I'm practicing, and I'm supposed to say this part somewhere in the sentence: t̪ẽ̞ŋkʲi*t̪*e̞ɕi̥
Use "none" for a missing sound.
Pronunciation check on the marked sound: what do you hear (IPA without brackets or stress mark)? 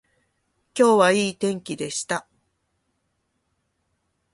d̪